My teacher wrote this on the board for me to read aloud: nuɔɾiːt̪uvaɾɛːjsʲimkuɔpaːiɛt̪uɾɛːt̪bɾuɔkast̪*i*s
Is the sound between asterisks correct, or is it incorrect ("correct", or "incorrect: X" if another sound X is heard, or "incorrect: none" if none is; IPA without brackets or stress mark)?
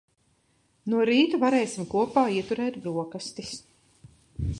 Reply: correct